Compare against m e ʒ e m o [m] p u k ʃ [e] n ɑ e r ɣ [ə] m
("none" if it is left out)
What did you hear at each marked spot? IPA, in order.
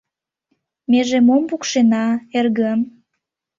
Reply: m, e, ə

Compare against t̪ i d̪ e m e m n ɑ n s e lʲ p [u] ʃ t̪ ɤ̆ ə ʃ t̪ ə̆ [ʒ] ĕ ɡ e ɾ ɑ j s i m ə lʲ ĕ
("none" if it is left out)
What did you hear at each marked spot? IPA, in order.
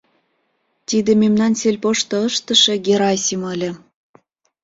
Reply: o, ʃ

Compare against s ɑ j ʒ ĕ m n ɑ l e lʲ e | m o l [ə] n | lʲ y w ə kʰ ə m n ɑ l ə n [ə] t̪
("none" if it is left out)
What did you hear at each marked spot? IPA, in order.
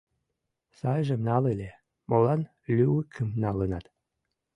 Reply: ɑ, ɑ

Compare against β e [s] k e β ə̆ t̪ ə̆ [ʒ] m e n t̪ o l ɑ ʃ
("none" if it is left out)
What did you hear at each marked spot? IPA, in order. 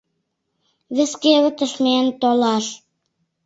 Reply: s, ʃ

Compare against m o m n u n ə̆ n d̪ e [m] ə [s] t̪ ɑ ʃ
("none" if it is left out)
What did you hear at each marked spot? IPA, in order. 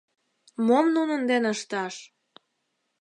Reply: n, ʃ

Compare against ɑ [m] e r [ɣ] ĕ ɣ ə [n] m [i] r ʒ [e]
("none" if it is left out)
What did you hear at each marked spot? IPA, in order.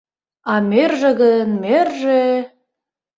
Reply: m, ʒ, n, e, e

